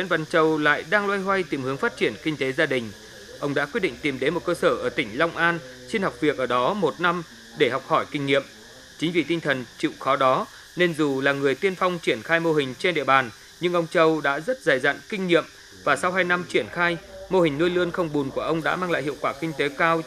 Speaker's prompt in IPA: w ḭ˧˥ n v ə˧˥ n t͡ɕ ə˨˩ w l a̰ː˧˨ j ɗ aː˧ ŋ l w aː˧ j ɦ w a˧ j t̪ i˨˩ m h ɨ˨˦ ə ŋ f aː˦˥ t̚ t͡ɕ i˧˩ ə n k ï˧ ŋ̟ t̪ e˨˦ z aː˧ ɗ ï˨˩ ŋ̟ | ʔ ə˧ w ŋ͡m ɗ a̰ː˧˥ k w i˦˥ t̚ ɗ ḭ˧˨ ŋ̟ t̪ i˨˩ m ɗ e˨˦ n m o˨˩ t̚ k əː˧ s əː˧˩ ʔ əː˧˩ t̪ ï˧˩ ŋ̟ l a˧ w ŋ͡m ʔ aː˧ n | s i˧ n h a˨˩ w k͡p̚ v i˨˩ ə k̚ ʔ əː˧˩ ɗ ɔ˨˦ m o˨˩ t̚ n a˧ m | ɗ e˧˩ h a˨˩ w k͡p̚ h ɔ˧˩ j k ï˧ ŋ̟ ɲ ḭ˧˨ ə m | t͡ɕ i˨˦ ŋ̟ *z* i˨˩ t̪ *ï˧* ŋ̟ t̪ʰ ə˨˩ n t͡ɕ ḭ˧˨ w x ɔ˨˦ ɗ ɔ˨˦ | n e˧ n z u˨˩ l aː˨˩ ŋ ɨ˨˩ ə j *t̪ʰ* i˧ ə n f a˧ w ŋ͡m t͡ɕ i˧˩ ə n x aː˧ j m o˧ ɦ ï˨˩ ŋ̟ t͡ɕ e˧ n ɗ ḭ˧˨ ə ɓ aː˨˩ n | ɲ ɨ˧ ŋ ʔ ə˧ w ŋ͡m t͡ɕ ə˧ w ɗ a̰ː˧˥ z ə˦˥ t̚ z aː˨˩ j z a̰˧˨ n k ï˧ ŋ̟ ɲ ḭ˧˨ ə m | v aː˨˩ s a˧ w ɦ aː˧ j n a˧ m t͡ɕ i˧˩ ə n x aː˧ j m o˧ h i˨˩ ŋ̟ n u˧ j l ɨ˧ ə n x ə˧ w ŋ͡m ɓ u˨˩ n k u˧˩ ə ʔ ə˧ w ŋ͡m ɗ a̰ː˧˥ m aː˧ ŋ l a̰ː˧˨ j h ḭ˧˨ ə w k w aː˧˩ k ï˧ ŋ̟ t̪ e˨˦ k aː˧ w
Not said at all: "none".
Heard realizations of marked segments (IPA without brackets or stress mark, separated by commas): v, ï˧, t̪